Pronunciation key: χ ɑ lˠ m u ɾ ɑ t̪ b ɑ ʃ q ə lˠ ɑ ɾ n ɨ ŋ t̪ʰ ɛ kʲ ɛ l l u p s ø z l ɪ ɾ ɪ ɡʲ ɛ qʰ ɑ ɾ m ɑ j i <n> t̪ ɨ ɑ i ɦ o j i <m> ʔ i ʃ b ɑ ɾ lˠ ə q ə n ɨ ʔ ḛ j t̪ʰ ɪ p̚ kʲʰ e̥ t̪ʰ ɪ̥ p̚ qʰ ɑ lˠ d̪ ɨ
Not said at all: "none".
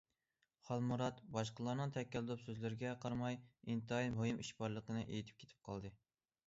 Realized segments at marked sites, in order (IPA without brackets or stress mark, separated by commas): n, m